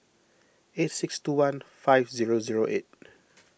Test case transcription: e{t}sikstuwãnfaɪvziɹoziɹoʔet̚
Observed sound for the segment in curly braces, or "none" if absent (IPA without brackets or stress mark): t